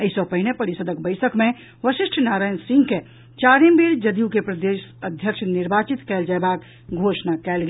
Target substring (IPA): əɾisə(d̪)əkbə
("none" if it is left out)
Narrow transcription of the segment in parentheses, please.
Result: d̪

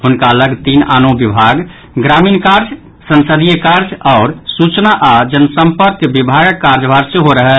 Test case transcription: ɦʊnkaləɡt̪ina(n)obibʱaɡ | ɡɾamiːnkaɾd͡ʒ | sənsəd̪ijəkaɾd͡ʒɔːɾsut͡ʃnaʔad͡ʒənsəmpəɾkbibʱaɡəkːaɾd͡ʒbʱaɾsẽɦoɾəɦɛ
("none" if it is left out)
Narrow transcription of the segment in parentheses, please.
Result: n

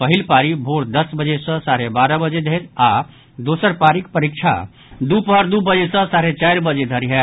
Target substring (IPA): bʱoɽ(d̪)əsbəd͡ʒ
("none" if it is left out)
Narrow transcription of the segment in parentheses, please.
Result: d̪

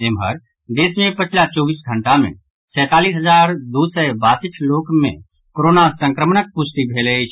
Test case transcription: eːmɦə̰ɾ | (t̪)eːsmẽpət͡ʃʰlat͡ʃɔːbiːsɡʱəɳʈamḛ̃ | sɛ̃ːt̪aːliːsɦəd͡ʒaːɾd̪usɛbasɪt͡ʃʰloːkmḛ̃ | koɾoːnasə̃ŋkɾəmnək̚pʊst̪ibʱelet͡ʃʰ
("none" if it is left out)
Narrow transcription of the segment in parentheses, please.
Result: d̪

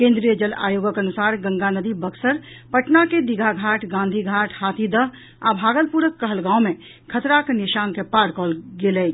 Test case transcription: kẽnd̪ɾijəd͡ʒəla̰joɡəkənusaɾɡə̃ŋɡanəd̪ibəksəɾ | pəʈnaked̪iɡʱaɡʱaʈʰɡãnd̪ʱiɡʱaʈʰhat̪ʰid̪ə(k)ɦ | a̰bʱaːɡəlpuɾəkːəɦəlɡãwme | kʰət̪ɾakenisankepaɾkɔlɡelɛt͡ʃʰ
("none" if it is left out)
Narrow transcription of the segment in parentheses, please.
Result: none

